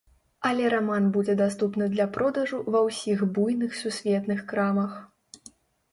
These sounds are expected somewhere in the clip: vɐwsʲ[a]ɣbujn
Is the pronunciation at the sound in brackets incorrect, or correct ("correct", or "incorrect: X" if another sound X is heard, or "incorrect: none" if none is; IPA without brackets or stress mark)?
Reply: incorrect: i